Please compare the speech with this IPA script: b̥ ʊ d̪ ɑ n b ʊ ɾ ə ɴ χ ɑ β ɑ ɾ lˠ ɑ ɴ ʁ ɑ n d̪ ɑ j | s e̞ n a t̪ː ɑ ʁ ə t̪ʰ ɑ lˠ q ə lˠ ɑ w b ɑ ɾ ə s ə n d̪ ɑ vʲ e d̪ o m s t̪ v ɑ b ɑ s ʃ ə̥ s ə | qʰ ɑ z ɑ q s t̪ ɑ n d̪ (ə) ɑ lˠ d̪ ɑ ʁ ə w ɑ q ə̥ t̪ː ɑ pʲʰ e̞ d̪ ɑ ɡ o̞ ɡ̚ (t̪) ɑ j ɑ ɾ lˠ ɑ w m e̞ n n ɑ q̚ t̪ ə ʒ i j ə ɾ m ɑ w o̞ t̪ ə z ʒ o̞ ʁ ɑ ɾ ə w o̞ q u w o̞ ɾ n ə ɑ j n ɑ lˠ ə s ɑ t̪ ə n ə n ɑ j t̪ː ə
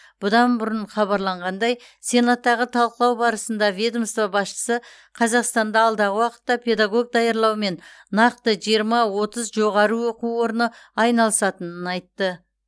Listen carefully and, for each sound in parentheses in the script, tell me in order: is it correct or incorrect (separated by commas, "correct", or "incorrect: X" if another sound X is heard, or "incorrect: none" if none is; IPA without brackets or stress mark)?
incorrect: ɑ, incorrect: d̪